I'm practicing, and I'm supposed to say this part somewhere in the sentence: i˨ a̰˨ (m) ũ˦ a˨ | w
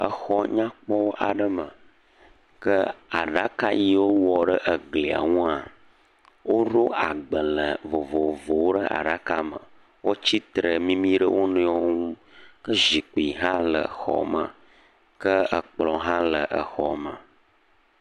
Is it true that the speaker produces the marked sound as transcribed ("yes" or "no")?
no